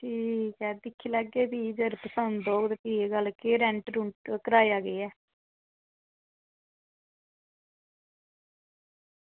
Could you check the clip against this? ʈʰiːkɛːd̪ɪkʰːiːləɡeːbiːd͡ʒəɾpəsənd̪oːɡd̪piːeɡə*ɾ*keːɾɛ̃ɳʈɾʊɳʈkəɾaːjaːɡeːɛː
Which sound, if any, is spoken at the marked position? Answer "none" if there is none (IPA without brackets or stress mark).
l